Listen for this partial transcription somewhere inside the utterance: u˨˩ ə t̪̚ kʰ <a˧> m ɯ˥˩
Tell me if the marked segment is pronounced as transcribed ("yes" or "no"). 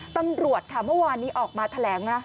no